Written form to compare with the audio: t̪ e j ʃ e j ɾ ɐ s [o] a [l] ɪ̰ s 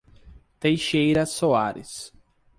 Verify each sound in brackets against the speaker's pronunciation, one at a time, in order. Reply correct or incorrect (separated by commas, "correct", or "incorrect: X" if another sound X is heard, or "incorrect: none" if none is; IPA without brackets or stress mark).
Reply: correct, incorrect: ɾ